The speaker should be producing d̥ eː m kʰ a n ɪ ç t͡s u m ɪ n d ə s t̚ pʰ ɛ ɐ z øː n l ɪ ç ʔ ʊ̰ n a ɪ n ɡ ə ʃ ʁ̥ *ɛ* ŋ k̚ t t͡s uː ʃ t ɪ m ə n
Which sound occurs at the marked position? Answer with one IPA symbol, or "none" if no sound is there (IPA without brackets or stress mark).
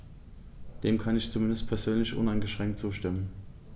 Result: ɛ